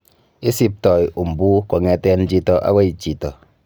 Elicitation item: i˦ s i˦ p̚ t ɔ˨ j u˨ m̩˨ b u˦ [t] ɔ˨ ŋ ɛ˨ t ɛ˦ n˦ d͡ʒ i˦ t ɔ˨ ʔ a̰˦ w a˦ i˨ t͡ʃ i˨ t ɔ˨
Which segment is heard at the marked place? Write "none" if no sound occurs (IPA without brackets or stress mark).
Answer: k